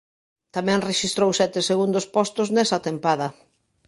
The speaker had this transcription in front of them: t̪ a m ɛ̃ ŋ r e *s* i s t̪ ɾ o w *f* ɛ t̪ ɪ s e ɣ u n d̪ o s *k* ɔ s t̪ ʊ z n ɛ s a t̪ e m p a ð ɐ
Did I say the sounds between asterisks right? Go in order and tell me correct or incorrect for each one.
incorrect: ʃ, incorrect: s, incorrect: p

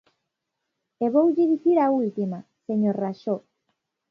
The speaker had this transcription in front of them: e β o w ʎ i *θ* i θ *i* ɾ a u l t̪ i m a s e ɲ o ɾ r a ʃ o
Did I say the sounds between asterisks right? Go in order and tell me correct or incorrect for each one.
incorrect: ð, correct

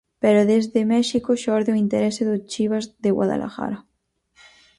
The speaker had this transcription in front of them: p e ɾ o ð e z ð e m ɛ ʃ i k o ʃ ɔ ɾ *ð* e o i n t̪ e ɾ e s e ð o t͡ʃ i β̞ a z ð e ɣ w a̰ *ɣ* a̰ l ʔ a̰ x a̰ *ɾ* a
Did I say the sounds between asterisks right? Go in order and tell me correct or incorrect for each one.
correct, incorrect: ð, correct

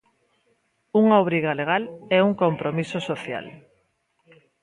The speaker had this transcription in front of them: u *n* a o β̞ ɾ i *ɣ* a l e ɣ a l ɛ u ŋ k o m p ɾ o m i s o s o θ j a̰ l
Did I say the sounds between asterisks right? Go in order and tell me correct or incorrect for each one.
incorrect: ŋ, correct

